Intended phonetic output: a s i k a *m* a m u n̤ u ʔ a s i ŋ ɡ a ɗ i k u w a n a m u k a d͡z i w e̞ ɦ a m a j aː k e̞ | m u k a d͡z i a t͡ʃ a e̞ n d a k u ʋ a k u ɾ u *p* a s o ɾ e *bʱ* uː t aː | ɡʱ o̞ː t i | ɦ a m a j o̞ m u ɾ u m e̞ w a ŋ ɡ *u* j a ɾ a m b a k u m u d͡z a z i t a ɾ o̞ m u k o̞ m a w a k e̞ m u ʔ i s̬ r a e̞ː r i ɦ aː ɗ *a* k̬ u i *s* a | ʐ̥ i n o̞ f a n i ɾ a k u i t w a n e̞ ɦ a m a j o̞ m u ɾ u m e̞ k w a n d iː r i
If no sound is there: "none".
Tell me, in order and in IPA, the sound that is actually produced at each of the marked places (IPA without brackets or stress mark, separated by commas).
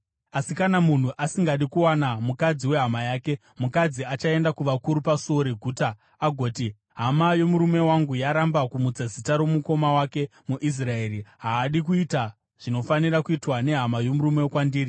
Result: n, p, ɡʱ, u, i, t